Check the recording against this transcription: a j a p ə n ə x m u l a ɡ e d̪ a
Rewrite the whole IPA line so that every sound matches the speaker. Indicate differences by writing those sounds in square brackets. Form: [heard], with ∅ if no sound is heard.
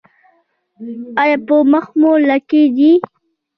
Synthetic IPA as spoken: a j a p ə [m] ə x m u l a [k] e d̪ [i]

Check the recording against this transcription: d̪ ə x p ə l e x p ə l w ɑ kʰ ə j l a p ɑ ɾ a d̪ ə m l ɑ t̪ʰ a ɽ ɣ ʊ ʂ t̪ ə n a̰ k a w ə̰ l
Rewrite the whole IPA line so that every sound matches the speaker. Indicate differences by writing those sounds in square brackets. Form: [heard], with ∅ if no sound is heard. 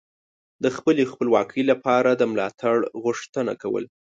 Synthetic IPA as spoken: d̪ ə x p ə l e x p ə l w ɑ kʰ ə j l a p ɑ ɾ a d̪ ə m l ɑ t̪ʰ a ɽ ɣ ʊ ʂ t̪ ə n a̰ k a w ə̰ l

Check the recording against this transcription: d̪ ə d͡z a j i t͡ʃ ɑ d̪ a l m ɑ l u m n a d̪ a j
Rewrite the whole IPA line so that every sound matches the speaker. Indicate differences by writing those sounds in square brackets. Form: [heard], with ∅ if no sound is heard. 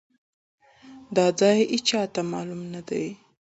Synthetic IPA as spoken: d̪ [ɑ] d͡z [ɑ] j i t͡ʃ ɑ [t̪] a [∅] m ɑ l u m n a d̪ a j

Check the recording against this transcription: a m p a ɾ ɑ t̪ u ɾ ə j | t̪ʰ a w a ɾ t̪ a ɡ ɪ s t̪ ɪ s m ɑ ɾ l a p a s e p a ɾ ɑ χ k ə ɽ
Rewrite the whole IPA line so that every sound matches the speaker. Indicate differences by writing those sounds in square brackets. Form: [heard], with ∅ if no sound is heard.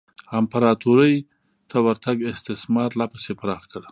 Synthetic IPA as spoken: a m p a ɾ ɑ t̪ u ɾ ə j | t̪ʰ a w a ɾ t̪ a ɡ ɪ s t̪ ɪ s m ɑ ɾ l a p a s e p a ɾ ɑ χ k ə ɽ

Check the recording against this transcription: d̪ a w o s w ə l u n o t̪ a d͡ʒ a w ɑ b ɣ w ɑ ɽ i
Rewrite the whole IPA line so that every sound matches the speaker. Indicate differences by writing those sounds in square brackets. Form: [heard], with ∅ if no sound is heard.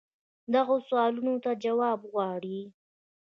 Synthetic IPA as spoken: d̪ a [ɣ] o s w [ɑ] l u n o t̪ a d͡ʒ a w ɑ b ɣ w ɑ ɽ i

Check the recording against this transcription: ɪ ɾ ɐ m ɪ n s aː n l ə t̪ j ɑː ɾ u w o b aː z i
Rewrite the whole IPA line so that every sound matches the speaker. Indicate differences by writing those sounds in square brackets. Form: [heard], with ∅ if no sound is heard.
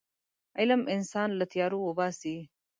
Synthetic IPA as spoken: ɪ [l] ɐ m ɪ n s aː n l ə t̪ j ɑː ɾ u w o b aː [s] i

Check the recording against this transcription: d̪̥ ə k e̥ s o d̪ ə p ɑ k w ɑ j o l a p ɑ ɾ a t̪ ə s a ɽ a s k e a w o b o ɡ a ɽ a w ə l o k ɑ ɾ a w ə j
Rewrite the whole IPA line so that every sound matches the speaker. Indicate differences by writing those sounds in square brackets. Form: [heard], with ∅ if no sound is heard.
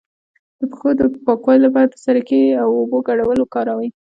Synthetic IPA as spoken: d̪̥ ə [p] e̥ [x] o d̪ ə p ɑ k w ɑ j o l a p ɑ ɾ a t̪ ə s a [ɾ] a [∅] k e a w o b o ɡ a ɽ a w ə l o k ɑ ɾ a w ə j

